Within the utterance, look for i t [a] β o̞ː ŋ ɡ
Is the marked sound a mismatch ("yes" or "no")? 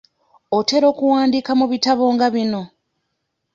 no